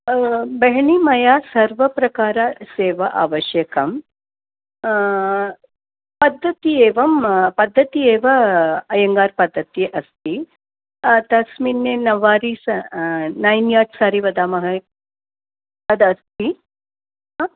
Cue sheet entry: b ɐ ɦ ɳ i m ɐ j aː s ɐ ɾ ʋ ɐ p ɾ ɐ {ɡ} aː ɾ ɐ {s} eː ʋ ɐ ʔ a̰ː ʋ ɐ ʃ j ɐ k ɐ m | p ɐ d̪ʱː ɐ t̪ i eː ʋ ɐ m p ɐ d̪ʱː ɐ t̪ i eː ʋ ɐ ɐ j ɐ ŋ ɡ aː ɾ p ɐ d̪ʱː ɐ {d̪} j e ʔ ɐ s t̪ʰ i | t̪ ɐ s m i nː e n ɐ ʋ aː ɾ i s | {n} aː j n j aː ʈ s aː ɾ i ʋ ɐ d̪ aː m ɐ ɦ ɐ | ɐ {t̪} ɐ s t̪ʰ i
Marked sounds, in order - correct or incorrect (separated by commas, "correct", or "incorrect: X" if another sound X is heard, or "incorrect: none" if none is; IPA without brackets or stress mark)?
incorrect: k, correct, incorrect: t̪, correct, incorrect: d̪